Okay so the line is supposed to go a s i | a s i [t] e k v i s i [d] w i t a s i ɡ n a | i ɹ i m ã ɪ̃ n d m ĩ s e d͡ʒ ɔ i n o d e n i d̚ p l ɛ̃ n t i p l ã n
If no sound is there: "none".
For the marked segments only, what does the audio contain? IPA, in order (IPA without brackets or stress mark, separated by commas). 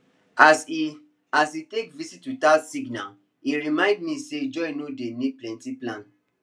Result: t, t